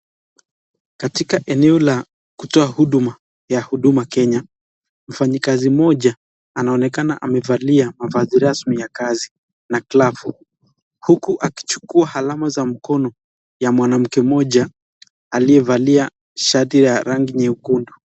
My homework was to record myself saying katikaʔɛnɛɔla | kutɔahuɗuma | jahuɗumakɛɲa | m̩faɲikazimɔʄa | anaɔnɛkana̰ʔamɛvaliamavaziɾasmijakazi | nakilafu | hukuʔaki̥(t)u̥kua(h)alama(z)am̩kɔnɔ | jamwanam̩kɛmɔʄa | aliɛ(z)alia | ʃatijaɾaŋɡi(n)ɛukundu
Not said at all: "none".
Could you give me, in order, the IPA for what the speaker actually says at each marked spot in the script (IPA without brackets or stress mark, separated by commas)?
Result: t͡ʃ, h, z, v, ɲ